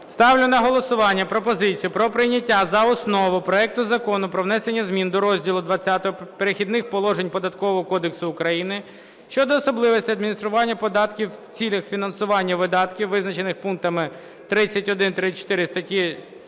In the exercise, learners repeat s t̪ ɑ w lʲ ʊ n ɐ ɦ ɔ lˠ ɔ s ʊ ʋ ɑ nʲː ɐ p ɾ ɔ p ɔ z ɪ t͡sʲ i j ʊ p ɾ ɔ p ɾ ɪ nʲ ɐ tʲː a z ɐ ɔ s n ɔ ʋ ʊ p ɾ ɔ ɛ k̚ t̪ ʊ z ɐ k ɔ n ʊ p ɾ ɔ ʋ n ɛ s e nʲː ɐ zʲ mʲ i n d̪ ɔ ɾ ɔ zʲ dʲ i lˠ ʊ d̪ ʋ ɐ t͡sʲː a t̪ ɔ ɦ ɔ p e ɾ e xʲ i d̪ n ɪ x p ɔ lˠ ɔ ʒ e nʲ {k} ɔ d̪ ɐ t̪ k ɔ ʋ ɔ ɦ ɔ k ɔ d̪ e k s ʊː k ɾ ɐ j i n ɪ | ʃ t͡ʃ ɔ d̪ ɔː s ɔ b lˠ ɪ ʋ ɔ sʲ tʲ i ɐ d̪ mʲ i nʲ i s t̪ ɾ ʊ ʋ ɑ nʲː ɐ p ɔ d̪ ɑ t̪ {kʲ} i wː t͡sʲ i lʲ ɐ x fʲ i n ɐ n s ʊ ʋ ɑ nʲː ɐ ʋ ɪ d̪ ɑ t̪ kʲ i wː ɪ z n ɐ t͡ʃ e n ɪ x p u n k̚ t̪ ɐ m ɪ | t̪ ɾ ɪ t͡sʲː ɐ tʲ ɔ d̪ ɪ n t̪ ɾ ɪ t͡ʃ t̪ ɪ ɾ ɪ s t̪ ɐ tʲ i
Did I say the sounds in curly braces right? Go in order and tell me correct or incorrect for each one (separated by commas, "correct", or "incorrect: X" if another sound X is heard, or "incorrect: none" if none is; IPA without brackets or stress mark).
incorrect: p, correct